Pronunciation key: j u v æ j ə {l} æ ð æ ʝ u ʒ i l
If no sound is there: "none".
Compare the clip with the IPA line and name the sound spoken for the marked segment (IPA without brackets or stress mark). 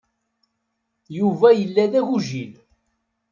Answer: lː